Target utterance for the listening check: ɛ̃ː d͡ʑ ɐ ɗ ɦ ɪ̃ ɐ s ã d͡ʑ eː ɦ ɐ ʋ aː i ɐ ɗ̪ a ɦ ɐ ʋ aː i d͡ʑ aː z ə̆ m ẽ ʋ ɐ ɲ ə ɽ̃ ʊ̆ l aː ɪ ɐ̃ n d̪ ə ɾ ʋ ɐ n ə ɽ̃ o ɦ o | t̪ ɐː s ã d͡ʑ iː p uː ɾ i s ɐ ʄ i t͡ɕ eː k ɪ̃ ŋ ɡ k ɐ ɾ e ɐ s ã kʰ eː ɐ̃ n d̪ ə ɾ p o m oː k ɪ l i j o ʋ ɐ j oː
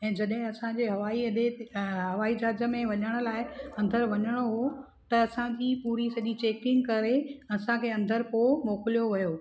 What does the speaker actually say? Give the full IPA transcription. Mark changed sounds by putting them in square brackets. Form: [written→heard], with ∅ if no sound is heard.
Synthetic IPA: ɛ̃ː d͡ʑ ɐ ɗ ɦ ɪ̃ ɐ s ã d͡ʑ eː ɦ ɐ ʋ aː i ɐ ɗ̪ [a→e] ɦ ɐ ʋ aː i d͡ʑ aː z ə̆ m ẽ ʋ ɐ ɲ ə ɽ̃ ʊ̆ l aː ɪ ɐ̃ n d̪ ə ɾ ʋ ɐ [n→ɲ] ə ɽ̃ o ɦ o | t̪ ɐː s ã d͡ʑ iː p uː ɾ i s ɐ ʄ i t͡ɕ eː k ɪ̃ ŋ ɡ k ɐ ɾ e ɐ s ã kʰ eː ɐ̃ n d̪ ə ɾ p o m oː k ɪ l i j o ʋ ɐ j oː